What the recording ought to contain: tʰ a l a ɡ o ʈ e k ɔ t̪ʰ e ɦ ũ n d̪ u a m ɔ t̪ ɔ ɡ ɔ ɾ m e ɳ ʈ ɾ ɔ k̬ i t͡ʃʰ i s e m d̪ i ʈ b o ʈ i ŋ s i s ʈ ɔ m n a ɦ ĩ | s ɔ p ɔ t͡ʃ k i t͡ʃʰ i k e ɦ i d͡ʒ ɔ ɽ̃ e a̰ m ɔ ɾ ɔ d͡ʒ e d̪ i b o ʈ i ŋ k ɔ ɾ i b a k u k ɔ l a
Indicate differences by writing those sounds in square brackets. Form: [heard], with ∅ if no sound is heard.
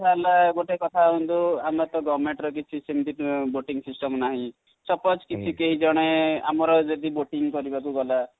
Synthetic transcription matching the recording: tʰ a l a ɡ o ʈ e k ɔ t̪ʰ [a] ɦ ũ n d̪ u a m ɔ t̪ ɔ ɡ ɔ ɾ m e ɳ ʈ ɾ ɔ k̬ i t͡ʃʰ i s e m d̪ i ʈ b o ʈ i ŋ s i s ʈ ɔ m n a ɦ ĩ | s ɔ p ɔ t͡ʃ k i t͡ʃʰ i k e ɦ i d͡ʒ ɔ ɽ̃ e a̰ m ɔ ɾ ɔ d͡ʒ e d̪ i b o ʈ i ŋ k ɔ ɾ i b a k u [ɡ] ɔ l a